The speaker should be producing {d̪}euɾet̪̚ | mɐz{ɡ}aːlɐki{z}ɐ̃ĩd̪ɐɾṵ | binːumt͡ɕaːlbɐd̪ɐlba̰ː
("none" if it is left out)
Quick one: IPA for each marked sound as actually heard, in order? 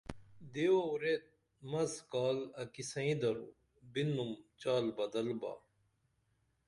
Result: d̪, k, s

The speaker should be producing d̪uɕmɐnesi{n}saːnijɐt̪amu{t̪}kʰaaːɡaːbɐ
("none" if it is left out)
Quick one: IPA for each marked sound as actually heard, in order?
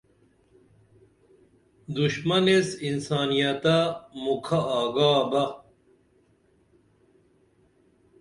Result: n, none

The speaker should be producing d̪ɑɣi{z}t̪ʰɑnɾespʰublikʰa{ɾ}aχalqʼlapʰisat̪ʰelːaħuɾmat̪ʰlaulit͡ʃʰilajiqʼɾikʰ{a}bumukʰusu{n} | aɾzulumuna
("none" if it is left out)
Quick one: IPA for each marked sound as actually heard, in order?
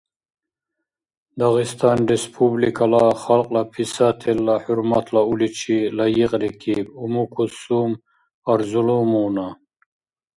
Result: s, l, i, m

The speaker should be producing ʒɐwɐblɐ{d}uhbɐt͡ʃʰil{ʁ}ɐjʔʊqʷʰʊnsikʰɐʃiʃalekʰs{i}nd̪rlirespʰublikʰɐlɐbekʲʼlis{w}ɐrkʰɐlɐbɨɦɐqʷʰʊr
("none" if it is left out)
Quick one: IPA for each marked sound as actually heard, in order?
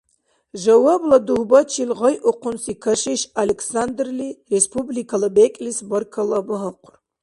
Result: d, ʁ, a, b

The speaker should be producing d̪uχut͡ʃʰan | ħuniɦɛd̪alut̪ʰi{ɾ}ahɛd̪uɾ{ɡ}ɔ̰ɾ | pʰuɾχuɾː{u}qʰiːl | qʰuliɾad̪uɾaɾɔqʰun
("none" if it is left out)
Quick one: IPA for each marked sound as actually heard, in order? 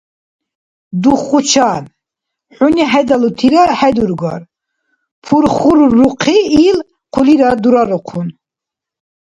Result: ɾ, ɡ, u

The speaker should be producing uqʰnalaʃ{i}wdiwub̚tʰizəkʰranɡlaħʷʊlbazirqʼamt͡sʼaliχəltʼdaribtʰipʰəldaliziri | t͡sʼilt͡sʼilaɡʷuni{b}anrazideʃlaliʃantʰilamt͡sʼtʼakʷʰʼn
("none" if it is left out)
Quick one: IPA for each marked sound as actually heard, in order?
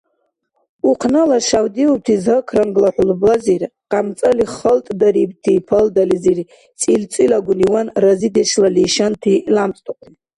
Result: a, w

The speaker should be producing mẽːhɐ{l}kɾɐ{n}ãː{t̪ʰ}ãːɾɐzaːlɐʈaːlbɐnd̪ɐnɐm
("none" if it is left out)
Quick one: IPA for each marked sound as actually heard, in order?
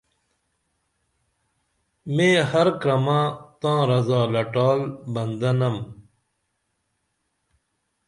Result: ɾ, m, t̪

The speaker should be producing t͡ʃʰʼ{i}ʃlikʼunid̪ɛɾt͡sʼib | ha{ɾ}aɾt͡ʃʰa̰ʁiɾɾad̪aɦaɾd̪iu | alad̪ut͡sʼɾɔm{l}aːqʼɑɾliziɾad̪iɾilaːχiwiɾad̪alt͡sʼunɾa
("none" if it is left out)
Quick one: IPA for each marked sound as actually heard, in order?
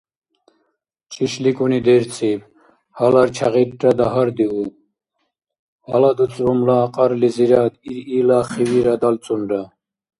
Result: i, l, l

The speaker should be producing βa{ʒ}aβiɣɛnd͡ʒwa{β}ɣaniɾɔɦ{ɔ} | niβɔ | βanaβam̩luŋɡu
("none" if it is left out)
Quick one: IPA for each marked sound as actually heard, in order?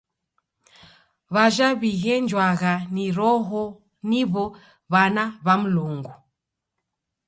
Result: ʒ, none, ɔ

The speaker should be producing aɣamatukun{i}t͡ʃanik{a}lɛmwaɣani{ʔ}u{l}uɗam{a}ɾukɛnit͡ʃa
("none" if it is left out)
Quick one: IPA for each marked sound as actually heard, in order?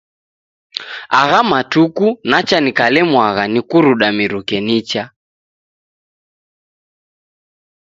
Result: a, a, k, ɾ, i

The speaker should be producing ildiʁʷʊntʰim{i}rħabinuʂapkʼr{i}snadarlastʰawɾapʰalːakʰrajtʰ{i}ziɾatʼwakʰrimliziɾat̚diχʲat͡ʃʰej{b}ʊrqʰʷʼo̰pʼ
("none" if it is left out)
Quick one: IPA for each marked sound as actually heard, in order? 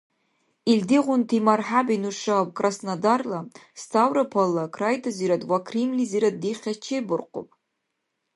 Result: a, a, a, b

